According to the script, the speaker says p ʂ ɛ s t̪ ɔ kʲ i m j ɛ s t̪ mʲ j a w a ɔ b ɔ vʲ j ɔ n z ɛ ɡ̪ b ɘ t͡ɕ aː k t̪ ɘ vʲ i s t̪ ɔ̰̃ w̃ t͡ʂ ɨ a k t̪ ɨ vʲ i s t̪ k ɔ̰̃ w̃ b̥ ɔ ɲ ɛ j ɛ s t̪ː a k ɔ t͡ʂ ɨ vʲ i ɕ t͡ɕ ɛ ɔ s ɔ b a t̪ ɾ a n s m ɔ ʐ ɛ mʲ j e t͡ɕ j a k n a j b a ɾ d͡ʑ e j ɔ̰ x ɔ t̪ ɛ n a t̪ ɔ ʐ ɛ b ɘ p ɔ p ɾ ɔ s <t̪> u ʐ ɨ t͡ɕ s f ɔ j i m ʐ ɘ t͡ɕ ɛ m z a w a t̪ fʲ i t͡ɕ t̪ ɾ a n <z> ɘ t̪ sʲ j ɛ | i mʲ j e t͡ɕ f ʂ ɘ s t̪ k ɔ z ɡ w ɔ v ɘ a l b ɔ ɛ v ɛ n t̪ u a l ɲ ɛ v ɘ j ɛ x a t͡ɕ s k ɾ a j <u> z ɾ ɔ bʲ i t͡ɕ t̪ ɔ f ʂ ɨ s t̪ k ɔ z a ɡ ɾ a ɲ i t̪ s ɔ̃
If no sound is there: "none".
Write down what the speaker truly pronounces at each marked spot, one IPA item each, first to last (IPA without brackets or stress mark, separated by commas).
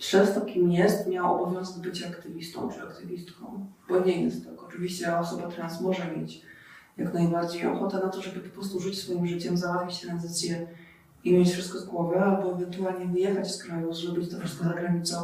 t̪, z, u